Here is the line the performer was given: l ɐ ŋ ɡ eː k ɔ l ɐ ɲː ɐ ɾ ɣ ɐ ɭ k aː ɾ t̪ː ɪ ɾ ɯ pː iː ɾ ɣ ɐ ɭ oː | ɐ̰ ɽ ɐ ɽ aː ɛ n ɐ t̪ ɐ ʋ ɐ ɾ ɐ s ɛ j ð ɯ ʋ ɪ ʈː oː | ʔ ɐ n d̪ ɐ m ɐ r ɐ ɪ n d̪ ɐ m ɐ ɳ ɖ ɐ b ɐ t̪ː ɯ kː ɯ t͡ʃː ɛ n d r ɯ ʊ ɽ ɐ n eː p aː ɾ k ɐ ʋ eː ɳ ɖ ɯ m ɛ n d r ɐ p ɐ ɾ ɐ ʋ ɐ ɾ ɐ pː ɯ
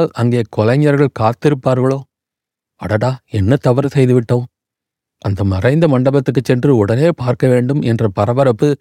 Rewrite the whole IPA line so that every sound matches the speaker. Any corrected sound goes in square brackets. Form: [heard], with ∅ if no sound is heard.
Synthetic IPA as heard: l ɐ ŋ ɡ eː k ɔ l ɐ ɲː ɐ ɾ ɣ ɐ ɭ k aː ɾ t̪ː ɪ ɾ ɯ pː [aː] ɾ ɣ ɐ ɭ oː | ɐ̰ ɽ ɐ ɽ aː ɛ [nː] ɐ t̪ ɐ ʋ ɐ ɾ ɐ s ɛ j ð ɯ ʋ ɪ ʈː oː | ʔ ɐ n d̪ ɐ m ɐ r ɐ ɪ n d̪ ɐ m ɐ ɳ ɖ ɐ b ɐ t̪ː ɯ kː ɯ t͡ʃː ɛ n d r ɯ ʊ ɽ ɐ n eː p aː ɾ k ɐ ʋ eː ɳ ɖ ɯ m ɛ n d r ɐ p ɐ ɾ ɐ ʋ ɐ ɾ ɐ pː ɯ